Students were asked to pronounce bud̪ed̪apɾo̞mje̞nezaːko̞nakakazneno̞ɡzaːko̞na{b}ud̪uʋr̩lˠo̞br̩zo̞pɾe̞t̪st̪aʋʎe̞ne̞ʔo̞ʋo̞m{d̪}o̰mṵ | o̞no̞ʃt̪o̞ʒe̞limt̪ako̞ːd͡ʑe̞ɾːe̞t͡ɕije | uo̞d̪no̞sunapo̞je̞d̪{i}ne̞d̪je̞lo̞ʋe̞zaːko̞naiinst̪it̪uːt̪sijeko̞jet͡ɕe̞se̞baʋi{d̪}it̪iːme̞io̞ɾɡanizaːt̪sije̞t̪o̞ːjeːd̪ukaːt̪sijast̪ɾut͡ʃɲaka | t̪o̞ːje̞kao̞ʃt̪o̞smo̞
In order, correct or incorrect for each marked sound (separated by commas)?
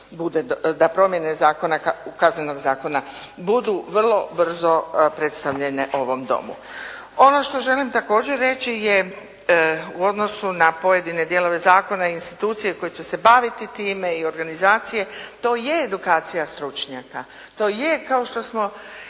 correct, correct, correct, incorrect